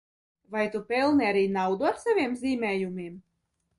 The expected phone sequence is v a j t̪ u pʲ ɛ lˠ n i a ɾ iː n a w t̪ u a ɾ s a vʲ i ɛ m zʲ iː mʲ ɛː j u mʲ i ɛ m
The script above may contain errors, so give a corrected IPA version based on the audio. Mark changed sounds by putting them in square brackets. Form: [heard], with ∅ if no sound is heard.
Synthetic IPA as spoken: v a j t̪ u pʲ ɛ lˠ n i a ɾ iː n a w [d̪] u a ɾ s a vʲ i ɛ m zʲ iː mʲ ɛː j u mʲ i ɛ m